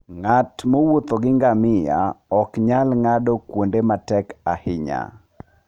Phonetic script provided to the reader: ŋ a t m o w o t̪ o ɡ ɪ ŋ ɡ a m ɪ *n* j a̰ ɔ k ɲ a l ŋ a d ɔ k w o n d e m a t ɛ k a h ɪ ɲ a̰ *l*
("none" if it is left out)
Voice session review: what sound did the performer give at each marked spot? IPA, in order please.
none, none

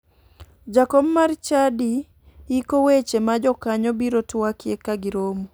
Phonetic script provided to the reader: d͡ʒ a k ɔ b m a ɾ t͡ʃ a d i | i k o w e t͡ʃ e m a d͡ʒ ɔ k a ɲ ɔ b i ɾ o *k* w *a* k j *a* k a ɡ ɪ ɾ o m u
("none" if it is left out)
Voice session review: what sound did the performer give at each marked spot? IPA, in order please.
t, a, e

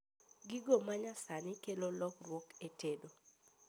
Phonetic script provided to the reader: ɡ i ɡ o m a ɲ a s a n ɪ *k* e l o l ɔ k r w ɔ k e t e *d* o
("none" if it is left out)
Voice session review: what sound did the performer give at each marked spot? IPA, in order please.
k, d

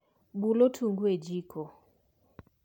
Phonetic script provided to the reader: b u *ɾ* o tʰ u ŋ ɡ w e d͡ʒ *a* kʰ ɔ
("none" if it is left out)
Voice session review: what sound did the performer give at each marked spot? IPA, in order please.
l, i

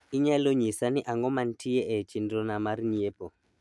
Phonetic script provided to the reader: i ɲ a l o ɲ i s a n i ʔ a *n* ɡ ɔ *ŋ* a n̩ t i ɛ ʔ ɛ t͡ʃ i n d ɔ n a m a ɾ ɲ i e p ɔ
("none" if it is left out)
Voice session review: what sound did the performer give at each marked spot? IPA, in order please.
ŋ, m

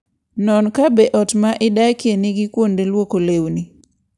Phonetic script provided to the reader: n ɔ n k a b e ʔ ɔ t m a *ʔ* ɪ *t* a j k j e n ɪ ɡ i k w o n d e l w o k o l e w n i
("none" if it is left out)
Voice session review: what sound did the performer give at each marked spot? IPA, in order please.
ʔ, d

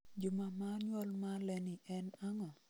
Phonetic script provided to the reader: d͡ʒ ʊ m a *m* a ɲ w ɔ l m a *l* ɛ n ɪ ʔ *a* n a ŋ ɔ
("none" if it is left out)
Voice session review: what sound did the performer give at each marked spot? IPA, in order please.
m, l, ɛ

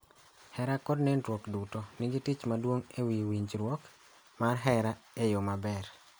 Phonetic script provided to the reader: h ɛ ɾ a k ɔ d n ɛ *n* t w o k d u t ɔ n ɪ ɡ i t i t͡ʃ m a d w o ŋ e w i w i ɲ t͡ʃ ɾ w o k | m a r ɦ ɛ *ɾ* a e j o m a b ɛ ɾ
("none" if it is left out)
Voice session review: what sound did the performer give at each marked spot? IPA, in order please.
n, ɾ

